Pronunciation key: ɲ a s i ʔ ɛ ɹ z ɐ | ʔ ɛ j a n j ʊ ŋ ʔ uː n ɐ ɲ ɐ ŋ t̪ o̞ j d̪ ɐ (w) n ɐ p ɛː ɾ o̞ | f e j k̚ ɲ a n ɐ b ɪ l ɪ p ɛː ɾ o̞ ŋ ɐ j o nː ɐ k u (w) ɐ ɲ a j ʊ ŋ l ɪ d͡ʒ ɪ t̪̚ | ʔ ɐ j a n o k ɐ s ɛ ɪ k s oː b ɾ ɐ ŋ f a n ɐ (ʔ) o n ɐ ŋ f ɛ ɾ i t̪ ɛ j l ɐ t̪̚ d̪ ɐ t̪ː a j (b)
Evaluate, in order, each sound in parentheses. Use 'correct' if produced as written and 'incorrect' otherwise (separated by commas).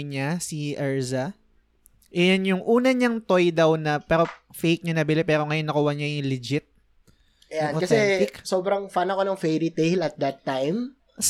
correct, correct, incorrect, incorrect